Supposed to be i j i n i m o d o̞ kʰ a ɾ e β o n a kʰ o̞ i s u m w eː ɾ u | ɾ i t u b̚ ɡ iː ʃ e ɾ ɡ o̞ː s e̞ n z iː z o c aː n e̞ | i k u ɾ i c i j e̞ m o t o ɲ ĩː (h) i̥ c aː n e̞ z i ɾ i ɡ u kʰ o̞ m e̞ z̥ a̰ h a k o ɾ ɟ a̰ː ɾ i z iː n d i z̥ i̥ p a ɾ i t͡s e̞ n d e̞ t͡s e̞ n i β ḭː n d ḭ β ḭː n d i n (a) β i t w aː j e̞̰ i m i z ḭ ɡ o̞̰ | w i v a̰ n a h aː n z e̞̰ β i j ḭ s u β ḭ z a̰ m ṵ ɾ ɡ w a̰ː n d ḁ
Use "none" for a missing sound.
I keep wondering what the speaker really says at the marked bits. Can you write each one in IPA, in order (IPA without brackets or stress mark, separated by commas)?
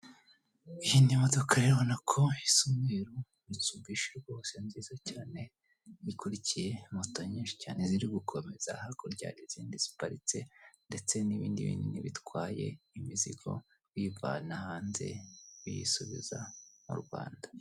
ʃ, i